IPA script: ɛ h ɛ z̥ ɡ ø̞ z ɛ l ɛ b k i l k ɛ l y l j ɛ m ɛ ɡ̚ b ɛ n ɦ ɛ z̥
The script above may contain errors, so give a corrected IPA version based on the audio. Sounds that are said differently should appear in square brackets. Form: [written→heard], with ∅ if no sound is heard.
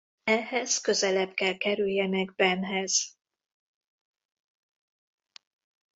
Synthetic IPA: ɛ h ɛ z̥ [ɡ→k] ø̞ z ɛ l ɛ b k [i→ɛ] l k ɛ [l→ɾ] y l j ɛ [m→n] ɛ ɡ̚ b ɛ n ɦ ɛ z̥